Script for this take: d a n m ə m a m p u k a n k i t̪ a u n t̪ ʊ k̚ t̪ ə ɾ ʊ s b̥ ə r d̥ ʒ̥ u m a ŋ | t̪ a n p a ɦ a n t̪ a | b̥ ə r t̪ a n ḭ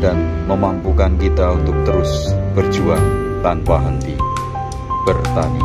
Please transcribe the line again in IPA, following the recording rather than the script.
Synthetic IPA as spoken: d a n m ə m a m p u k a n k i t̪ a u n t̪ ʊ k̚ t̪ ə ɾ ʊ s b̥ ə r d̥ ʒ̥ u a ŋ | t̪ a n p a ɦ ə n t̪ i | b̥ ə r t̪ a n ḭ